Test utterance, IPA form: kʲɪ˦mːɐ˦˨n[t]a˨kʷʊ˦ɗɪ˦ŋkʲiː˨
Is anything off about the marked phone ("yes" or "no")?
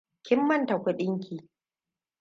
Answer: no